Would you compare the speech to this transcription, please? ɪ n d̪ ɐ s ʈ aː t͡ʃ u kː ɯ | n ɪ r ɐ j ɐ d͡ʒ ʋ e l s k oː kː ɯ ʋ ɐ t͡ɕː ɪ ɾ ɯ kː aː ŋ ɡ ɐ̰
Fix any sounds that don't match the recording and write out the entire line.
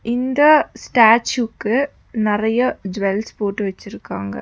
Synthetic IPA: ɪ n d̪ ɐ s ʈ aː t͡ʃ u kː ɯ | n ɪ r ɐ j ɐ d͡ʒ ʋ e l s p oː ʈː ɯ ʋ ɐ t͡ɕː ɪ ɾ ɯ kː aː ŋ ɡ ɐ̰